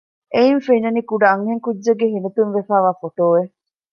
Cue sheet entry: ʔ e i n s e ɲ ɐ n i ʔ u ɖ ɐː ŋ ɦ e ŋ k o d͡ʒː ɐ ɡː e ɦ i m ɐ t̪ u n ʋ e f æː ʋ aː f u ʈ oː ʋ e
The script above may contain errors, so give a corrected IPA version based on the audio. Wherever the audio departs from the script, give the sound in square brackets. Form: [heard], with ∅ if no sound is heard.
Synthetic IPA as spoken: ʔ e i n [f] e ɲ ɐ n i [k] u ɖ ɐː ŋ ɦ e ŋ k [u] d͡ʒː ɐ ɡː e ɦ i [n] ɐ t̪ u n ʋ e f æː ʋ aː f [o] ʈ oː ʋ e